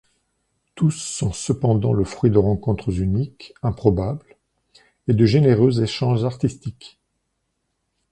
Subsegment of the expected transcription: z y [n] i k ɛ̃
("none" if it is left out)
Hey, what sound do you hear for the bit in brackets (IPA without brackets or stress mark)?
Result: n